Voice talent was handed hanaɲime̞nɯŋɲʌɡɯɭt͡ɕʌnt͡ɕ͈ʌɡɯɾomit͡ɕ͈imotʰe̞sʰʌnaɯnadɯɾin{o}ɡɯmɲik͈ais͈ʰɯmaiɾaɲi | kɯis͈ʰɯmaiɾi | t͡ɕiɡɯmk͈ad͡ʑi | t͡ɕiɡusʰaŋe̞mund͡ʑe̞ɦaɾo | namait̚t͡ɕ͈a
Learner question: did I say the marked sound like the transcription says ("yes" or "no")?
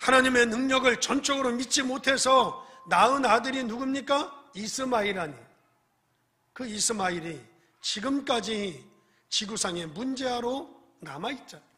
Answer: no